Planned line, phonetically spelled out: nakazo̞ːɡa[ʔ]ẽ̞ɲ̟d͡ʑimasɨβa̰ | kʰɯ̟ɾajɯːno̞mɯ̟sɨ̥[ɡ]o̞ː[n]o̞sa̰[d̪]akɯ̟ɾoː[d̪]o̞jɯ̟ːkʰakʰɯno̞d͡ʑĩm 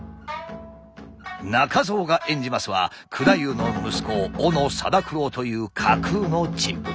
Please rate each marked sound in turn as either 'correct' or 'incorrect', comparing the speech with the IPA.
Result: correct, incorrect: k, correct, correct, incorrect: t̪

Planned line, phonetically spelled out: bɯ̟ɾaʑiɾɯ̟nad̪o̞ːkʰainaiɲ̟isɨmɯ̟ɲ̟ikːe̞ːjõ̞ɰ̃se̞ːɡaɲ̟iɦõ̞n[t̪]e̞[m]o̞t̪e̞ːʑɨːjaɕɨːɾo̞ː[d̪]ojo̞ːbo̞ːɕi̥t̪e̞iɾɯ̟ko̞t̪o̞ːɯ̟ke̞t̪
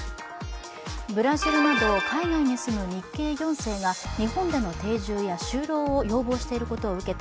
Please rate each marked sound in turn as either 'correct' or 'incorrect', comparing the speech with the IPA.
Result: incorrect: d̪, incorrect: n, incorrect: none

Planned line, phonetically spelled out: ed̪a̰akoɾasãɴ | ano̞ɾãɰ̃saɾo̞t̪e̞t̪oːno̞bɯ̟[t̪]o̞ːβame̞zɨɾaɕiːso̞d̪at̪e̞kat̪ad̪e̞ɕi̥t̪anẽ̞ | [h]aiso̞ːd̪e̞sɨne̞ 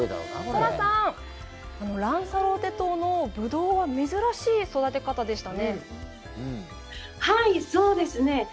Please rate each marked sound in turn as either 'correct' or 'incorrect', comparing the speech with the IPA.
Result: incorrect: d̪, correct

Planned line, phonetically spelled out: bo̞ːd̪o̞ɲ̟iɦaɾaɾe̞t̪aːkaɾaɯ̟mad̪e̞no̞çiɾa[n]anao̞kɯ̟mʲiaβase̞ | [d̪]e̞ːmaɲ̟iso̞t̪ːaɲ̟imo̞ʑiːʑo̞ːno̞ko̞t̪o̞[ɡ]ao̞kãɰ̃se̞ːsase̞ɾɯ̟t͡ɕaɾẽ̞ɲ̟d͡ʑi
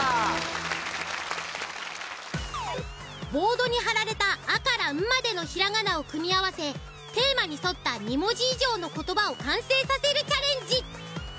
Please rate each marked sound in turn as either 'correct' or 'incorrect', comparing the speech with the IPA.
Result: incorrect: ŋ, incorrect: t̪, incorrect: b

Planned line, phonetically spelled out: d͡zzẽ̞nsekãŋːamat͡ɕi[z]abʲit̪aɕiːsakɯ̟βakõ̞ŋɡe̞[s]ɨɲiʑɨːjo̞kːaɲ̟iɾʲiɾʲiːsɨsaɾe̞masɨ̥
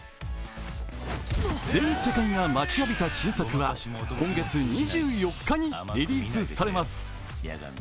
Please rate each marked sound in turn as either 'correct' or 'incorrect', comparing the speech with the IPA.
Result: incorrect: none, incorrect: t͡s

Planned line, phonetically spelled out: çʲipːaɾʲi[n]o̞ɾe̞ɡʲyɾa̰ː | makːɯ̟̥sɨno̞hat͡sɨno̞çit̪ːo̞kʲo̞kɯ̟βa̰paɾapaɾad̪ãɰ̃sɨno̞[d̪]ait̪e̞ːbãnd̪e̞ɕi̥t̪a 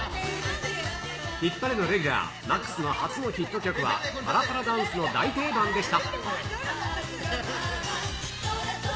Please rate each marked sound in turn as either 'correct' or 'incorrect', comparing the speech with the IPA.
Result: correct, correct

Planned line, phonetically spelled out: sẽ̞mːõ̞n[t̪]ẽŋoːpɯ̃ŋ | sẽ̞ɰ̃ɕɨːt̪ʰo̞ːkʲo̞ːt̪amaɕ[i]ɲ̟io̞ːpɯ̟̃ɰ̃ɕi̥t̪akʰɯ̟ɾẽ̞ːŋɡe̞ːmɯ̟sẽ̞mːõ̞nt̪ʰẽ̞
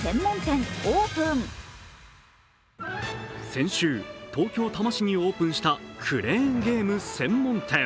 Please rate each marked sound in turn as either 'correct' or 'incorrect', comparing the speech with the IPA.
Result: correct, correct

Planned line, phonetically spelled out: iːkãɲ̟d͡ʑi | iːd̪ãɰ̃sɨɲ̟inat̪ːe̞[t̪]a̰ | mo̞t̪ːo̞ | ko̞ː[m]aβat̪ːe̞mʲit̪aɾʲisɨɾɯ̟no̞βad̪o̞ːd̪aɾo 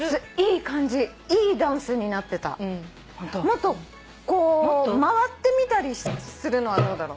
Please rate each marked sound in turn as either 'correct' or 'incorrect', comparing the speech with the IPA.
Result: correct, correct

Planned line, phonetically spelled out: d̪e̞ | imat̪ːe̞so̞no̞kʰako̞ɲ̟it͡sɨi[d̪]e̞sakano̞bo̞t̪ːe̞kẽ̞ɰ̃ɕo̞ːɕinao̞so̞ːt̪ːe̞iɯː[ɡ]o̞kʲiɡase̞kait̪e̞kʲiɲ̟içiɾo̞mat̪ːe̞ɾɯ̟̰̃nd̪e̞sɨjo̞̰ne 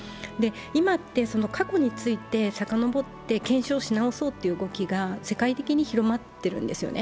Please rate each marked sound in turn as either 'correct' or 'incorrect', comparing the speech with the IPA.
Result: incorrect: t̪, correct

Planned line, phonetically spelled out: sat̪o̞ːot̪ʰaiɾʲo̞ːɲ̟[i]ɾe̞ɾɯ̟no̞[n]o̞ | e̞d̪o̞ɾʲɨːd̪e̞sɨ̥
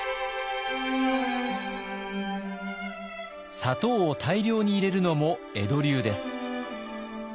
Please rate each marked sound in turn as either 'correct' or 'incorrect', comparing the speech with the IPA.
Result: incorrect: iː, incorrect: m

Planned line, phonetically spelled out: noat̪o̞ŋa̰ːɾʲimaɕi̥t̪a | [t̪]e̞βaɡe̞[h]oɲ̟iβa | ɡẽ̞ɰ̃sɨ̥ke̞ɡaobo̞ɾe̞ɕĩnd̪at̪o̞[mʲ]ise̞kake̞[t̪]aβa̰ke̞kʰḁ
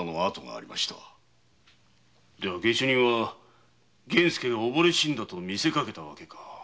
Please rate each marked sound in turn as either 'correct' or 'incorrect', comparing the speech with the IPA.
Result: incorrect: d̪, incorrect: ɕ, correct, correct

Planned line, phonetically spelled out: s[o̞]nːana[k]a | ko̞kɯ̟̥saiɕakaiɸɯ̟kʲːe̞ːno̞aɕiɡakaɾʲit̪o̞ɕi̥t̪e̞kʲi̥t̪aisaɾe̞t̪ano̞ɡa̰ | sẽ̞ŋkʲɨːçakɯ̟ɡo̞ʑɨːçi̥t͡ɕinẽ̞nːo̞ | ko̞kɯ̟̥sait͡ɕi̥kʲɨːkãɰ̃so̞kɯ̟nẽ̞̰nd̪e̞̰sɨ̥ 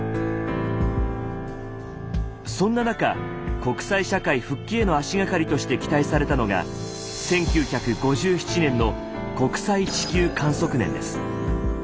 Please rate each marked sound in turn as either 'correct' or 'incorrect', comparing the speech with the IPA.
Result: incorrect: õ̞, correct

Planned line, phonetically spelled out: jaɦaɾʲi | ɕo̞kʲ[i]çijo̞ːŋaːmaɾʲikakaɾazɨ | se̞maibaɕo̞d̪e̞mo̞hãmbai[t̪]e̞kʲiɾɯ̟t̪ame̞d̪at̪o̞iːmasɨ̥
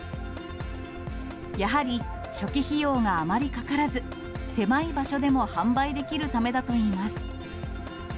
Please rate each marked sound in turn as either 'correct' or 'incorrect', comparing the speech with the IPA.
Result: correct, incorrect: d̪

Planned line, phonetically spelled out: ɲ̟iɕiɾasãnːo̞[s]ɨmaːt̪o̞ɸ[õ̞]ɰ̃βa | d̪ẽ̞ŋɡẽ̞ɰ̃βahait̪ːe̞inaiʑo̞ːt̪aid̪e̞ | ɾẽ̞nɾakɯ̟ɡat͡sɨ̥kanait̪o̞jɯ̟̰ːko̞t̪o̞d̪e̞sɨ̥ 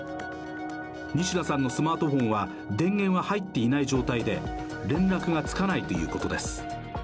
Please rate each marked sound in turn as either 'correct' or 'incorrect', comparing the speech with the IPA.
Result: correct, correct

